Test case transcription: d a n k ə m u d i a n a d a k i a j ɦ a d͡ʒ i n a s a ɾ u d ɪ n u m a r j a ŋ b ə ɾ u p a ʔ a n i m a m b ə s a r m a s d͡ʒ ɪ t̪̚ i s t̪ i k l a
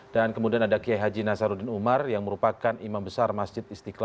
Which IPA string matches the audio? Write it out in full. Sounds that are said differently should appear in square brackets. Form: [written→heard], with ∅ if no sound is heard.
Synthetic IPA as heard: d a n k ə m u d i a n a d a k i a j ɦ a d͡ʒ i n a s a ɾ u d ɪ n u m a r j a ŋ [b→m] ə ɾ u p a [ʔ→k] a n i m a m b ə s a r m a s d͡ʒ ɪ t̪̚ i s t̪ i k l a